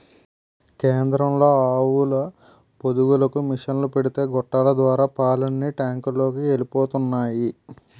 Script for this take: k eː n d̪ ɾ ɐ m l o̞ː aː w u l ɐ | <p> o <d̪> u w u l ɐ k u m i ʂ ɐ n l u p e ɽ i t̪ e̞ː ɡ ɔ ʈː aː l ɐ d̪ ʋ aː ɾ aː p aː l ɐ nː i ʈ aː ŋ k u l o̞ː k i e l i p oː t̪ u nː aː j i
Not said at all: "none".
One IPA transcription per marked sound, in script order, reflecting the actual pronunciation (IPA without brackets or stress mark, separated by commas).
p, d̪